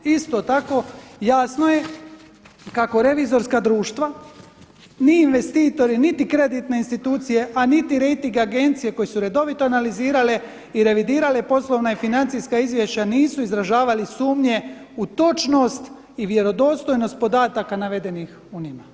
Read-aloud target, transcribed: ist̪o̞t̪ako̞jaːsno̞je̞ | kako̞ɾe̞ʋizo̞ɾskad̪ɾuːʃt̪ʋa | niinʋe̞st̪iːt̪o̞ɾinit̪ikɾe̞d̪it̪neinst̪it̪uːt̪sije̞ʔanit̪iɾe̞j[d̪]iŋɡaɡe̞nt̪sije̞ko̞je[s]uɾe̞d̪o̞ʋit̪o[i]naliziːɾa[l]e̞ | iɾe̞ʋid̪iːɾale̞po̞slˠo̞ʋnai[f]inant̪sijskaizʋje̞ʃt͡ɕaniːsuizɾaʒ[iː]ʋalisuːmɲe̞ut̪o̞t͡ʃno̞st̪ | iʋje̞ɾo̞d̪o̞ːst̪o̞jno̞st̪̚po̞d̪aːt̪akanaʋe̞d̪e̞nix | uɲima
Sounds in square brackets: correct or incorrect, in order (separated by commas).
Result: incorrect, correct, incorrect, correct, correct, incorrect